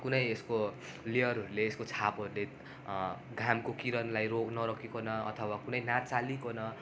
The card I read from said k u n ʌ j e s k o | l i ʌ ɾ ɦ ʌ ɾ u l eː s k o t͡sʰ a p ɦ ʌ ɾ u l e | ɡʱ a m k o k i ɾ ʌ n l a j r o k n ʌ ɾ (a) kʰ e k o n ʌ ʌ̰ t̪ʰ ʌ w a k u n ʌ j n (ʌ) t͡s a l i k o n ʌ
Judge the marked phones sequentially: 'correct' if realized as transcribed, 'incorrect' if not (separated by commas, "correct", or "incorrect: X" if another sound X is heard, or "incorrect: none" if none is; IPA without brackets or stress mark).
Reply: incorrect: ʌ, incorrect: a